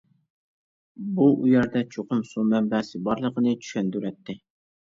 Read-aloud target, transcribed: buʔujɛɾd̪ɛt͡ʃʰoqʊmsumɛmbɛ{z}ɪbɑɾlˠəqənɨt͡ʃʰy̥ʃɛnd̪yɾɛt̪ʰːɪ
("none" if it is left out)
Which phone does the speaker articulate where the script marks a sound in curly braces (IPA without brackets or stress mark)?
s